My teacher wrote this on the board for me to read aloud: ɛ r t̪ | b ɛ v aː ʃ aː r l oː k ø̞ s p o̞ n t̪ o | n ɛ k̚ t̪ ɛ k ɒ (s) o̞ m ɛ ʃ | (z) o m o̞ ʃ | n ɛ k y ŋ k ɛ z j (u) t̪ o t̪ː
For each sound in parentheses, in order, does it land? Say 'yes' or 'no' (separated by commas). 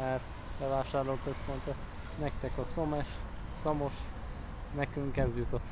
yes, no, yes